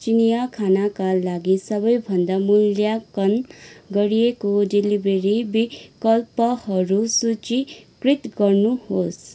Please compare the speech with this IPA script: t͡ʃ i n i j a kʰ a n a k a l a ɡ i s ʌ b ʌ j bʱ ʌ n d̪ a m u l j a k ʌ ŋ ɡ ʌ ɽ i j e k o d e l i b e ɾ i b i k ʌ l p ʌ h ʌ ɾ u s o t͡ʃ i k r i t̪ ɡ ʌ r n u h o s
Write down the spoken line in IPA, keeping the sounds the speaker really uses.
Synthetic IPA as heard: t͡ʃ i n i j a kʰ a n a k a l a ɡ i s ʌ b ʌ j bʱ ʌ n d̪ a m u l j a k ʌ n ɡ ʌ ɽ i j e k o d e l i b e ɾ i b i k ʌ l p ʌ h ʌ ɾ u s u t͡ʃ i k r i t̪ ɡ ʌ r n u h o s